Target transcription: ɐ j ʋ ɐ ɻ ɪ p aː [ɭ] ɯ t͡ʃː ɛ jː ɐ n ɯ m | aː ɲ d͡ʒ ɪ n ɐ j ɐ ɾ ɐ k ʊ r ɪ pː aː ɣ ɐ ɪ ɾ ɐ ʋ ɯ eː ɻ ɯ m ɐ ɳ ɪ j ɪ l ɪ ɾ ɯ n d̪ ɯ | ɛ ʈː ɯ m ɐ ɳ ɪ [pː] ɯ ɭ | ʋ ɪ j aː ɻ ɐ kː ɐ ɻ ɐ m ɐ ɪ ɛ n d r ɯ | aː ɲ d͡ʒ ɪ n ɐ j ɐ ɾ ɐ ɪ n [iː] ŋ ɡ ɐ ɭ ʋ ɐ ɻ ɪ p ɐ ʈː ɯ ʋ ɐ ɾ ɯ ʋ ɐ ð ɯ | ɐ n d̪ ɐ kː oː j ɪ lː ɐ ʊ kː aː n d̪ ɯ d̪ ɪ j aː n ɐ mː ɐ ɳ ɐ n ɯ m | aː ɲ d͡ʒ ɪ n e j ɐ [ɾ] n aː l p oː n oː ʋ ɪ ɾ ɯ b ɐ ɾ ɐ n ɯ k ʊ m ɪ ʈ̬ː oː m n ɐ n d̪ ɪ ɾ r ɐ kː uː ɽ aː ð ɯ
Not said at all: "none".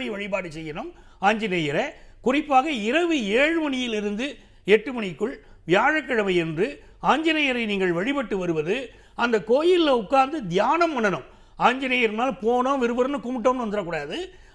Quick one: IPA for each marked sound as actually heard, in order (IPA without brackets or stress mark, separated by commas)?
ɽ, kː, iː, ɾ